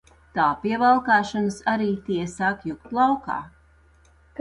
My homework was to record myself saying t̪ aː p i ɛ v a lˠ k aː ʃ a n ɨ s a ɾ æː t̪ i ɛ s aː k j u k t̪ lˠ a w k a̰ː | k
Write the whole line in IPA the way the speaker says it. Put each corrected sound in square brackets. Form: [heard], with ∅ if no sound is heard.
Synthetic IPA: t̪ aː p i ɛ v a lˠ k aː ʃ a n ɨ s a ɾ [iː] t̪ i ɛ s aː k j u k t̪ lˠ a w k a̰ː | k